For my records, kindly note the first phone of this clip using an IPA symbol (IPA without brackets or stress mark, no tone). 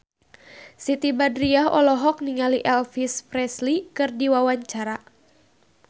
s